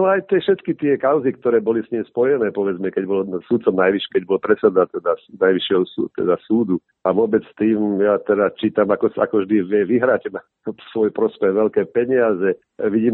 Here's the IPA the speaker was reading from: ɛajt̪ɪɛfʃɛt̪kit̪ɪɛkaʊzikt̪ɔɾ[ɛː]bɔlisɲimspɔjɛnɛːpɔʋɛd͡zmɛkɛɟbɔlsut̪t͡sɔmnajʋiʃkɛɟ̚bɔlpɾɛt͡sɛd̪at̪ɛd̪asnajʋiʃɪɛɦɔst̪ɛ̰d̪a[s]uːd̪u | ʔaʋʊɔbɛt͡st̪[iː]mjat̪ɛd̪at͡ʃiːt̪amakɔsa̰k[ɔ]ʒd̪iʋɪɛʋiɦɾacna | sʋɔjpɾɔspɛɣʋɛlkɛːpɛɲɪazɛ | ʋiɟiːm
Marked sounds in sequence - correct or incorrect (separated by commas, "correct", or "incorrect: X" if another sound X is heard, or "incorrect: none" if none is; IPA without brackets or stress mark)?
correct, correct, correct, correct